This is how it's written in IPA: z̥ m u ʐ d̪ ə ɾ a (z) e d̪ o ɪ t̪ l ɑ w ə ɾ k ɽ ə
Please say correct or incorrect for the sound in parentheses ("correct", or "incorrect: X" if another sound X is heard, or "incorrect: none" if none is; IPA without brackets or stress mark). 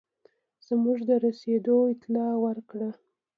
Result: incorrect: s